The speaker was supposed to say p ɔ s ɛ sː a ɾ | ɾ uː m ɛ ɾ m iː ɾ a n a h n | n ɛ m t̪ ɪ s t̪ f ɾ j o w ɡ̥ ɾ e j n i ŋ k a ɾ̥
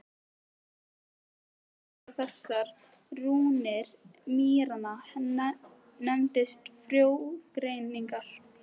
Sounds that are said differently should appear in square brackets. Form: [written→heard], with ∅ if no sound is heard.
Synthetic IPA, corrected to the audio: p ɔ [s→f] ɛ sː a ɾ | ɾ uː [m→n] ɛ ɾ m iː ɾ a n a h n | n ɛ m t̪ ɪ s t̪ f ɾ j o w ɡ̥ ɾ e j n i ŋ k a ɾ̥

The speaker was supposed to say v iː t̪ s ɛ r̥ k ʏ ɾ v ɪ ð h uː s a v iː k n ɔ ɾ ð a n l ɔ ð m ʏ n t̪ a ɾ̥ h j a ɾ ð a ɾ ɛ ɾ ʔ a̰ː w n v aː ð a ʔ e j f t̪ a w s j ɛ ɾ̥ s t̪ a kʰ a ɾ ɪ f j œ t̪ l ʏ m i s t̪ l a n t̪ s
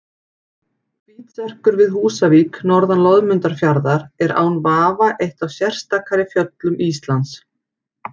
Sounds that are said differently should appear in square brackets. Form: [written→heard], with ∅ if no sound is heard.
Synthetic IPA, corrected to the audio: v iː t̪ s ɛ r̥ k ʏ ɾ v ɪ ð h uː s a v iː k n ɔ ɾ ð a n l ɔ ð m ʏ n t̪ a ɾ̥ [h→f] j a ɾ ð a ɾ ɛ ɾ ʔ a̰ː w n v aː [ð→v] a ʔ e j [f→h] t̪ a w s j ɛ [ɾ̥→r̥] s t̪ a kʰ a ɾ ɪ f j œ t̪ l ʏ m i s t̪ l a n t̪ s

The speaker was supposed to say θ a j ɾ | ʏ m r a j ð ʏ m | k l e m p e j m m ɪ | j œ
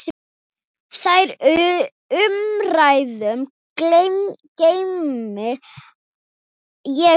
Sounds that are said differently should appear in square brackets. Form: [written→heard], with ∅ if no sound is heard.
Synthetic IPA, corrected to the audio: θ a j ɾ | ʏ m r a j ð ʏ m | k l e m [p→c] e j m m ɪ | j [œ→ɛ]

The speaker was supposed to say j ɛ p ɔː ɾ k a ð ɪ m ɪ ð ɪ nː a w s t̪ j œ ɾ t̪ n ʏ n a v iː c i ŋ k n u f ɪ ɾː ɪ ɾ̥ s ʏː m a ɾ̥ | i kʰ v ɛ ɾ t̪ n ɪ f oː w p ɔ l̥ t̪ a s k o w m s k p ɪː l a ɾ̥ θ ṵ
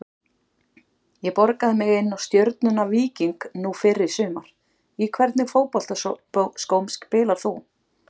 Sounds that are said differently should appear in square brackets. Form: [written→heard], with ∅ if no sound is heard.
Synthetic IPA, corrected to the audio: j ɛ p [ɔː→ɔ] ɾ k a ð ɪ m ɪ [ð→ɣ] ɪ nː a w s t̪ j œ ɾ t̪ n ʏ n a v iː c i ŋ k n u f ɪ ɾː ɪ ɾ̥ s ʏː m a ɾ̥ | i kʰ v ɛ ɾ t̪ n ɪ f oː w p ɔ l̥ t̪ a s k o w m s k p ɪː l a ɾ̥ θ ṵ

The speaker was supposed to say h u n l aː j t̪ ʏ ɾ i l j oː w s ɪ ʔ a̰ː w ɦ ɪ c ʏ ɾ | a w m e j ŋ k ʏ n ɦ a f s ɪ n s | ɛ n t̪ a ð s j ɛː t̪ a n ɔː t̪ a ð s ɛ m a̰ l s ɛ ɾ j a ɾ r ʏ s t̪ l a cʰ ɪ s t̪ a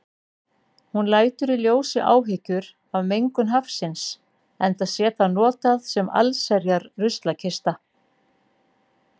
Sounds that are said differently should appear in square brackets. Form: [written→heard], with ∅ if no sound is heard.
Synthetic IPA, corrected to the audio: h u n l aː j t̪ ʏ ɾ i l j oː w s ɪ ʔ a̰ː w ɦ ɪ c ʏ ɾ | a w m e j ŋ k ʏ n ɦ a f s ɪ n s | ɛ n t̪ a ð s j ɛː t̪ a n ɔː t̪ a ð s ɛ m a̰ l s ɛ ɾ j a ɾ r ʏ s t̪ l a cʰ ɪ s t̪ a

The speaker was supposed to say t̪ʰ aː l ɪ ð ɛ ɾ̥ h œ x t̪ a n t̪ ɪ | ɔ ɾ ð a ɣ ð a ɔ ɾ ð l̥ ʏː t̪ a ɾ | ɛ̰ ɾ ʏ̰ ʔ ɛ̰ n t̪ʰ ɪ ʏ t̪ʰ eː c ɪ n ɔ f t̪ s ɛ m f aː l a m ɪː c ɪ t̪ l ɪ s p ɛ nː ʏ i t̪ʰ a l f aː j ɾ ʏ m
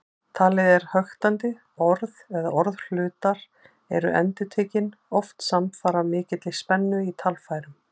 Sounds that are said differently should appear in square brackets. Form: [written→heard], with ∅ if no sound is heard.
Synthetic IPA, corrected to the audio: t̪ʰ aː l ɪ ð ɛ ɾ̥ h œ x t̪ a n t̪ ɪ | ɔ ɾ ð [a→ɛ] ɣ ð a ɔ ɾ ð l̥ ʏː t̪ a ɾ | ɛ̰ ɾ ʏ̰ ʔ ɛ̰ n [t̪ʰ→t̪] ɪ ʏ t̪ʰ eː c ɪ n ɔ f t̪ s [ɛ→a] m f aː [l→ɾ] a m ɪː c ɪ t̪ l ɪ s p ɛ nː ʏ i t̪ʰ a l f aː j ɾ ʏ m

